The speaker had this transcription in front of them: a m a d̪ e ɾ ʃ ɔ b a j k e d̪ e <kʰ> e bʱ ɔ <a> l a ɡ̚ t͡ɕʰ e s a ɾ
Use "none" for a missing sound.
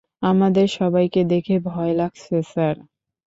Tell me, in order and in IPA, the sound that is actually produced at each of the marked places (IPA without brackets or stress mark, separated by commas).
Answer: kʰ, e